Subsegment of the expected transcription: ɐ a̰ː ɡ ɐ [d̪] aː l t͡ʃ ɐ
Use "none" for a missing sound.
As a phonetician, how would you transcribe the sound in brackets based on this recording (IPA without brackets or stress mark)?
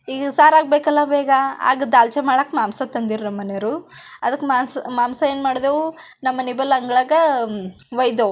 d̪